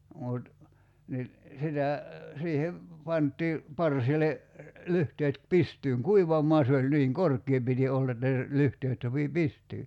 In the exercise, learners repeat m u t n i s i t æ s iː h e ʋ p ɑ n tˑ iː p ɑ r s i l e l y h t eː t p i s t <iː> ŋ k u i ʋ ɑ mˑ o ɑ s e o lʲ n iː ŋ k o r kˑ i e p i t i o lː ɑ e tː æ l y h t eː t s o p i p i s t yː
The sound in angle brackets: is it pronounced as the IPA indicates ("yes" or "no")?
no